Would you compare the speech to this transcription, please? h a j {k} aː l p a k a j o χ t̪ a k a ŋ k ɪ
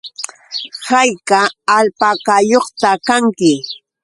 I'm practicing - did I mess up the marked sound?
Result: no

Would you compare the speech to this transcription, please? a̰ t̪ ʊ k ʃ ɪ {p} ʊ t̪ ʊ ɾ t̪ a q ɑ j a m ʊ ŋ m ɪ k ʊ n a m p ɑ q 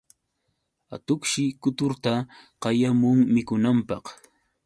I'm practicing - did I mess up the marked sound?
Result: yes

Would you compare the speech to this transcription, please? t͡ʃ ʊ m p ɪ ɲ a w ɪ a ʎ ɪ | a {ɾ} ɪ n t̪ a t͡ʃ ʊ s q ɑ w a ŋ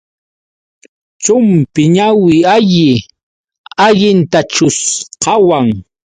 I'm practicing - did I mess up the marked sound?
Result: yes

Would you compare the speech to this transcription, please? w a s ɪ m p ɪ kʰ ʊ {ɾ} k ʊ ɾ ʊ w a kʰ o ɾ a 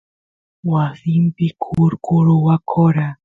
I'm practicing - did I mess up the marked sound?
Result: no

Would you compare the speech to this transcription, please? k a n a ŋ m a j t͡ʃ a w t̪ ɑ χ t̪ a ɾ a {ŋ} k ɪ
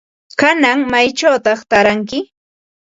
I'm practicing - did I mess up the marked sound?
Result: no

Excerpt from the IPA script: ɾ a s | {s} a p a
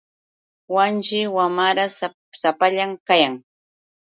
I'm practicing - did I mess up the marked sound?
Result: no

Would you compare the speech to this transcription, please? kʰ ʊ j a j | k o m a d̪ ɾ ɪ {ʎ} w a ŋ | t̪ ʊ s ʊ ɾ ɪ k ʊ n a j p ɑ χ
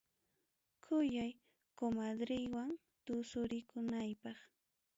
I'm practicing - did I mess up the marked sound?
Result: yes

